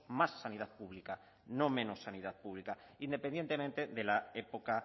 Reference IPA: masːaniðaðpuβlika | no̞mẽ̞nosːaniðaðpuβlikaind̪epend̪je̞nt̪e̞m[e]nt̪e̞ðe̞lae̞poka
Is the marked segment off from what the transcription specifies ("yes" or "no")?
yes